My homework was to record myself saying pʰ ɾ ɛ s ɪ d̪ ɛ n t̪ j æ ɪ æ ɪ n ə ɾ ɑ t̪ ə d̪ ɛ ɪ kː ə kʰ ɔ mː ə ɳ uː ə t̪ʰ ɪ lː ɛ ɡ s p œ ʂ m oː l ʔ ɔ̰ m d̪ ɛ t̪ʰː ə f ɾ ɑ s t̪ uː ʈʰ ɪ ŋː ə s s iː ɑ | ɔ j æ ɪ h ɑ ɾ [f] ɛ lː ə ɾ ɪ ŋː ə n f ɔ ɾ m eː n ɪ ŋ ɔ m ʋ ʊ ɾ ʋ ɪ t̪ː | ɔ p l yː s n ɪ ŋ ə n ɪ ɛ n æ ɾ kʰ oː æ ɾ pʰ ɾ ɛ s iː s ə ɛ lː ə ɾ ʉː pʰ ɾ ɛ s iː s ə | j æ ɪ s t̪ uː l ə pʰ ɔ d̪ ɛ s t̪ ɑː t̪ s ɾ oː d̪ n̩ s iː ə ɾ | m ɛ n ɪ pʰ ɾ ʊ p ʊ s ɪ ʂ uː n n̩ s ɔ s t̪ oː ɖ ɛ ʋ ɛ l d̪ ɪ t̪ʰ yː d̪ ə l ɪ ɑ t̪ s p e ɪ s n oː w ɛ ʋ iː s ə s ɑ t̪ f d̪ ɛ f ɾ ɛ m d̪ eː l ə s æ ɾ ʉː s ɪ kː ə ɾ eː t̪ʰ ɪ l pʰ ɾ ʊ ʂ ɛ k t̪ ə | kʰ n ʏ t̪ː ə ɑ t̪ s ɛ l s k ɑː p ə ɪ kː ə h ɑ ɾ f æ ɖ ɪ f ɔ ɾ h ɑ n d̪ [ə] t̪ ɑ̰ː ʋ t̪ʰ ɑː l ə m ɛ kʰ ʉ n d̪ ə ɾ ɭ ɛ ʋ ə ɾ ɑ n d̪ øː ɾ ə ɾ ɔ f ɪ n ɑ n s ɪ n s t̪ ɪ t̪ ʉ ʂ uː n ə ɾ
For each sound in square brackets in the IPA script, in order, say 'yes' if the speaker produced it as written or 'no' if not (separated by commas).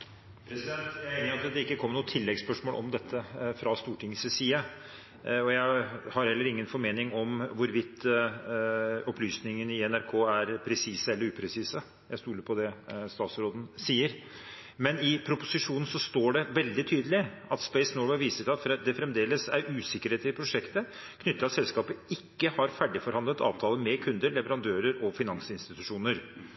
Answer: no, yes